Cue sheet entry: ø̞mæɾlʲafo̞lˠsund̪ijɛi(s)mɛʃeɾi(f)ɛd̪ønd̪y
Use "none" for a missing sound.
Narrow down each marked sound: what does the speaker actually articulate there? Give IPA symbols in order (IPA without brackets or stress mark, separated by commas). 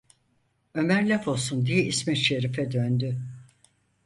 s, f